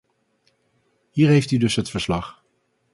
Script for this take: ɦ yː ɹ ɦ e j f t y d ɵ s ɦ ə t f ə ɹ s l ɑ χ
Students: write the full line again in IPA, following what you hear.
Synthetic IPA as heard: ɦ iː ɹ ɦ e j f t y d ɵ s ɦ ə t f ə ɹ s l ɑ χ